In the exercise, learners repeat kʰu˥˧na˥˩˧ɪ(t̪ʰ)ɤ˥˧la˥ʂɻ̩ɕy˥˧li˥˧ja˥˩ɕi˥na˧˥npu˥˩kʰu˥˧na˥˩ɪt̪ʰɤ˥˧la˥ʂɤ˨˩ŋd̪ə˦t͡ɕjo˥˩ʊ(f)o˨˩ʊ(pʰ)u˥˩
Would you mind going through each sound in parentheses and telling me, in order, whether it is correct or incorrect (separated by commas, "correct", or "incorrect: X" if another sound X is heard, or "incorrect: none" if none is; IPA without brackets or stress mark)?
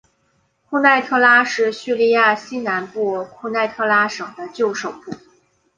correct, incorrect: ʂ, incorrect: p